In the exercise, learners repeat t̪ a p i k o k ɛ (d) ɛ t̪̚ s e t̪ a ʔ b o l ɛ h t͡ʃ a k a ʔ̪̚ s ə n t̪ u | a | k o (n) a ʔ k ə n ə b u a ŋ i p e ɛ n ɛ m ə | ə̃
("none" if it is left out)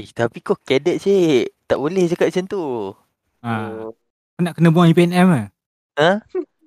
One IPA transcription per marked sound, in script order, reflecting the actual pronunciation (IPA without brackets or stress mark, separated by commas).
d, n